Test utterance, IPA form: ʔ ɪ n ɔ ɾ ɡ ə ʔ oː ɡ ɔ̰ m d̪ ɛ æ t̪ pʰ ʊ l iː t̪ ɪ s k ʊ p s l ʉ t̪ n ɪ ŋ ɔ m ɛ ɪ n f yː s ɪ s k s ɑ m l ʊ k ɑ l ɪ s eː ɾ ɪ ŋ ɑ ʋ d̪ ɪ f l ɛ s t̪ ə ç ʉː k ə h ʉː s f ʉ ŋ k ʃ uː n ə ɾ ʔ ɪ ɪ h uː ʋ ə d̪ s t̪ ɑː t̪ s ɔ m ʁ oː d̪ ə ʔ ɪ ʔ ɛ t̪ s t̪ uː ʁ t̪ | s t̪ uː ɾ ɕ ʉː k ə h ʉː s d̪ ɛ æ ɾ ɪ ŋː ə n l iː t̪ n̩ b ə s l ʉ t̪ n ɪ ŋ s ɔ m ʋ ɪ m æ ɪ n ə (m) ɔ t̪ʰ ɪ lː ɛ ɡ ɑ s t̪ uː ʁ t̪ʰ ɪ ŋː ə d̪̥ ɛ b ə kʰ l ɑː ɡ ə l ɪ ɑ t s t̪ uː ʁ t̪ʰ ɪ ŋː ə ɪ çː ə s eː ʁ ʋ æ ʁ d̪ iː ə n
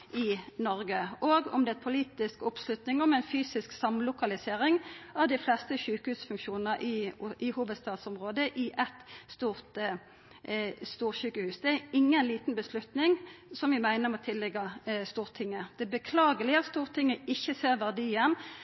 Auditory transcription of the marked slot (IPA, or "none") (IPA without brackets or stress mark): m